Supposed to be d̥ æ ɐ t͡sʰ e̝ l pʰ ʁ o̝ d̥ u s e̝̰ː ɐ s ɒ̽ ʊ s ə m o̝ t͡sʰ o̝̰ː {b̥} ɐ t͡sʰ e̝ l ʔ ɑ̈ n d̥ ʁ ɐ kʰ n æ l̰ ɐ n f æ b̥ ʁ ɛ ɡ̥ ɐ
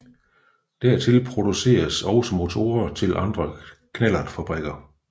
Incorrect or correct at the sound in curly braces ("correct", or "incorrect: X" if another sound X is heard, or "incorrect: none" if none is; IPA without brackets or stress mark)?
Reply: incorrect: none